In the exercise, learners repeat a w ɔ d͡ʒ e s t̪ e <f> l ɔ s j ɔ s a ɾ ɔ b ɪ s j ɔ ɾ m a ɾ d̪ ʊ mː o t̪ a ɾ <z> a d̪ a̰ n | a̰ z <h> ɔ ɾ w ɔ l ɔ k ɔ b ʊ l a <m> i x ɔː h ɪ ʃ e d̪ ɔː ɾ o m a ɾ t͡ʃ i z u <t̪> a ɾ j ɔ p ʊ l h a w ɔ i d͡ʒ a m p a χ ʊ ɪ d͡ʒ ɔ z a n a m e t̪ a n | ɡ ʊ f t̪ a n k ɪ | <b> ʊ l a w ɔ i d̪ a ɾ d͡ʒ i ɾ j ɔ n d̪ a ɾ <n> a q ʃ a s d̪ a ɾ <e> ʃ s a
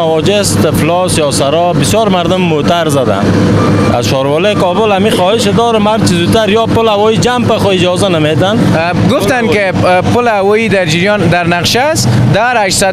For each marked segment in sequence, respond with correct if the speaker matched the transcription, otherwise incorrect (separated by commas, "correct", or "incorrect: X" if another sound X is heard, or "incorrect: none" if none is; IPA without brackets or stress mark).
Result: correct, correct, incorrect: ʃ, correct, correct, incorrect: p, correct, incorrect: a